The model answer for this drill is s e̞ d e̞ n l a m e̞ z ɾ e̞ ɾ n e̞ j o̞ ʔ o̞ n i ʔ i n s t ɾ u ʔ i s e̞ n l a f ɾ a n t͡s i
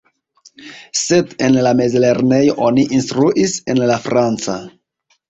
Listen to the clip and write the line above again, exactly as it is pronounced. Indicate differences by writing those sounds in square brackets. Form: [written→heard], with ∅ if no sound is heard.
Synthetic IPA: s e̞ d e̞ n l a m e̞ z [ɾ→l] e̞ ɾ n e̞ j o̞ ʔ o̞ n i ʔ i n s t ɾ u ʔ i s e̞ n l a f ɾ a n t͡s [i→a]

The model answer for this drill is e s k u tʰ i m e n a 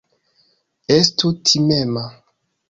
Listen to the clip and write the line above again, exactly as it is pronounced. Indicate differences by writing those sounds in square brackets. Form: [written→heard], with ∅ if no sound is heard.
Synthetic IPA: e s [k→t] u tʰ i m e [n→m] a

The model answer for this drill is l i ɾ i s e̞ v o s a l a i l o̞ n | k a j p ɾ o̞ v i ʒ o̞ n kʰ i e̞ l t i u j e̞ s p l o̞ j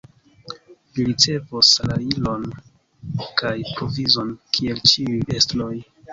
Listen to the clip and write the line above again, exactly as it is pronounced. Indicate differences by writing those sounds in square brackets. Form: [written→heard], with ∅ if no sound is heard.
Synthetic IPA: l i ɾ i [s→t͡s] e̞ v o s a l a i l o̞ n | k a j p ɾ o̞ v i [ʒ→z] o̞ n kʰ i e̞ l [t→t͡ʃ] i u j e̞ s [p→t] l o̞ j

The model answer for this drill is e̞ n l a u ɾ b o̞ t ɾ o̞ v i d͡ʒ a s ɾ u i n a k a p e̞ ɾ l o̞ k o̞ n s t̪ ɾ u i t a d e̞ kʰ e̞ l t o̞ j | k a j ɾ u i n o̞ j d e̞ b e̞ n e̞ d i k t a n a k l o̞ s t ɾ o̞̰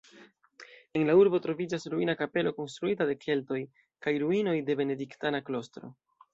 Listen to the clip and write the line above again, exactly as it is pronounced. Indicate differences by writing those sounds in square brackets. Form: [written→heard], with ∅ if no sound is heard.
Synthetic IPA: e̞ n l a u ɾ b o̞ t ɾ o̞ v i d͡ʒ a s ɾ u i n a k a p e̞ [ɾ→∅] l o̞ k o̞ n s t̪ ɾ u i t a d e̞ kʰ e̞ l t o̞ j | k a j ɾ u i n o̞ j d e̞ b e̞ n e̞ d i k t a n a k l o̞ s t ɾ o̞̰

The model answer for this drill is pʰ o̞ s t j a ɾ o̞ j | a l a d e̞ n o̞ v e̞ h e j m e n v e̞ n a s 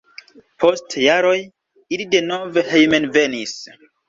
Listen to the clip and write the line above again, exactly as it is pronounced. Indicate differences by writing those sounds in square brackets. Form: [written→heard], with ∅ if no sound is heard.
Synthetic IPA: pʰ o̞ s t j a ɾ o̞ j | [a→i] l [a→i] d e̞ n o̞ v e̞ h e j m e n v e̞ n [a→i] s

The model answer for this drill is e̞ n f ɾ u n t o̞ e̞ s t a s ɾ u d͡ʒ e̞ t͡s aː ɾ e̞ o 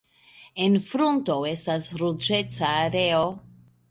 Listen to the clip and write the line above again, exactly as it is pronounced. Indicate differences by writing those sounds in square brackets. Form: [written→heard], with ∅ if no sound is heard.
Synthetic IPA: e̞ n f ɾ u n t o̞ e̞ s t a s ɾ u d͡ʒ e̞ t͡s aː ɾ e̞ o

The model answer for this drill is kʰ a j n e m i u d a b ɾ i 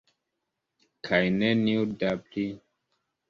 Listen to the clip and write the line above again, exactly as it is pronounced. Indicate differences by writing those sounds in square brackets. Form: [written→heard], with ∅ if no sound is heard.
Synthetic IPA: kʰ a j n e [m→n] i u d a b [ɾ→l] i

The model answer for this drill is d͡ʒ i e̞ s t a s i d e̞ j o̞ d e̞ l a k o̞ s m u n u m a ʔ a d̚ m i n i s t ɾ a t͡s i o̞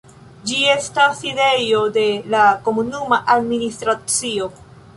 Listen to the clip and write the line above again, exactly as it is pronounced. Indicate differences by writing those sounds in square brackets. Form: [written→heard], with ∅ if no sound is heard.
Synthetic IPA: d͡ʒ i e̞ s t a s i d e̞ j o̞ d e̞ l a k o̞ [s→∅] m u n u m a ʔ a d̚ m i n i s t ɾ a t͡s i o̞

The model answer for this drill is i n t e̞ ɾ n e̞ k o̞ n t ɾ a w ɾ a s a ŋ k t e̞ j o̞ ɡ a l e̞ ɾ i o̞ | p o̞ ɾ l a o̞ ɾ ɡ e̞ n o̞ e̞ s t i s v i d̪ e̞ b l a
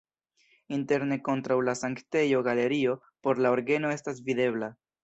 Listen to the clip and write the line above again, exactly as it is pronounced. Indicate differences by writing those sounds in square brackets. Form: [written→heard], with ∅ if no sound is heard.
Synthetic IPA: i n t e̞ ɾ n e̞ k o̞ n t ɾ a w [ɾ→l] a s a ŋ k t e̞ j o̞ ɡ a l e̞ ɾ i o̞ | p o̞ ɾ l a o̞ ɾ ɡ e̞ n o̞ e̞ s t [i→a] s v i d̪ e̞ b l a

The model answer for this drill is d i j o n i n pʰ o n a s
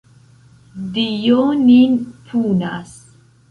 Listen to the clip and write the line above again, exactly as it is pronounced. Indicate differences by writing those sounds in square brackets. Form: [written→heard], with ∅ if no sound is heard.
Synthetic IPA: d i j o n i n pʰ [o→u] n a s

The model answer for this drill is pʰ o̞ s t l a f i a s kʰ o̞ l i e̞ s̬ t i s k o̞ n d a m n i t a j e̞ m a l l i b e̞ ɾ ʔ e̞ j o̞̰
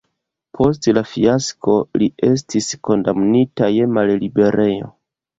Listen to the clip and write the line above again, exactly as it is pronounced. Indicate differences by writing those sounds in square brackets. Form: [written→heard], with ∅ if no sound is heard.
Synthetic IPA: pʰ o̞ s t l a f i a s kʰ o̞ l i e̞ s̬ t i s k o̞ n d a m n i t a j e̞ m a l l i b e̞ ɾ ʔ e̞ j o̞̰

